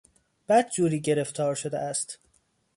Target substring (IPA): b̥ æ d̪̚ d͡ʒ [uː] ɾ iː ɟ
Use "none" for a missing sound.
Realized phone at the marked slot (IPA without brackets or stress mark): uː